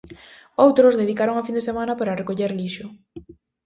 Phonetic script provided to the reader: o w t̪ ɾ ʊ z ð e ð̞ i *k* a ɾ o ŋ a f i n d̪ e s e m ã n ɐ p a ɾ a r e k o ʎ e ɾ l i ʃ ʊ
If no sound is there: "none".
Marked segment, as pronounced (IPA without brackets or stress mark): k